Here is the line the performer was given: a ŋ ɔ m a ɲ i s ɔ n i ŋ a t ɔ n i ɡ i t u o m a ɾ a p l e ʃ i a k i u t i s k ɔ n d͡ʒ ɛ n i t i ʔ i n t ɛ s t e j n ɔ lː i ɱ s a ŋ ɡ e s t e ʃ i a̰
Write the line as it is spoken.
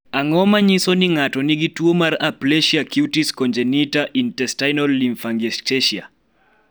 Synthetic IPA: a ŋ ɔ m a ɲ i s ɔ n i ŋ a t ɔ n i ɡ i t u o m a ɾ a p l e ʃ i a k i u t i s k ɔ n d͡ʒ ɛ n i t a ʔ i n t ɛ s t a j n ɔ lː i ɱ f a ŋ ɡ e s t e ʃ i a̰